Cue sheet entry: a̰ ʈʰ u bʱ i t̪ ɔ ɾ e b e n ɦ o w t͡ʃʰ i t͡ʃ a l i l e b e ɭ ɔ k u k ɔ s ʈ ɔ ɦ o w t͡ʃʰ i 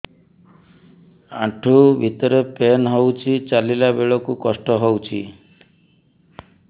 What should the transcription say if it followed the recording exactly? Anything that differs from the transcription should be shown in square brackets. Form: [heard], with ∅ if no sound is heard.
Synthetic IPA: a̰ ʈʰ u bʱ i t̪ ɔ ɾ e [p] e n ɦ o w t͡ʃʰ i t͡ʃ a l i l [a] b e ɭ ɔ k u k ɔ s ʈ ɔ ɦ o w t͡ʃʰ i

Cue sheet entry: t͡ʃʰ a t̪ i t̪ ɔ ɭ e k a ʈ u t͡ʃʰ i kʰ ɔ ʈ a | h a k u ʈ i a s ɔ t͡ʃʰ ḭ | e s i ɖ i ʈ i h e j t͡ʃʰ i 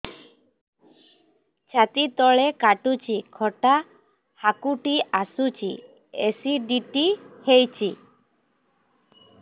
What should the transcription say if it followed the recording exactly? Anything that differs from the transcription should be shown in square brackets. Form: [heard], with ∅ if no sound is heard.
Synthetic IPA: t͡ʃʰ a t̪ i t̪ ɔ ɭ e k a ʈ u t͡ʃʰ i kʰ ɔ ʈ a | h a k u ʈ i a s [u] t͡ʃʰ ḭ | e s i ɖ i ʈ i h e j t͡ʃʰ i

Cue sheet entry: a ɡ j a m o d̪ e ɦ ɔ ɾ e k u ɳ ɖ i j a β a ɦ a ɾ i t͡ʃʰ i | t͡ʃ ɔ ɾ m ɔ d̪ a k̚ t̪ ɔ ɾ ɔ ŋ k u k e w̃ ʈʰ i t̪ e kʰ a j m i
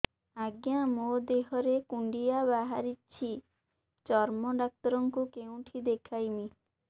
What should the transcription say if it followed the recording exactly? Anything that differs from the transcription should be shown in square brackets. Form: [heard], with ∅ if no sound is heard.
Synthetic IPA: a ɡ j a m o d̪ e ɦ ɔ ɾ e k u ɳ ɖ i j a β a ɦ a ɾ i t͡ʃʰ i | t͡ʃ ɔ ɾ m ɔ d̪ a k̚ t̪ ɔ ɾ ɔ ŋ k u k e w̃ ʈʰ i [d̪] e kʰ a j m i

